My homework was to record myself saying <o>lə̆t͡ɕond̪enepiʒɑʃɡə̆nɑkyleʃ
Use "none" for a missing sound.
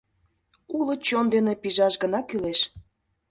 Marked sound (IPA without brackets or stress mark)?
u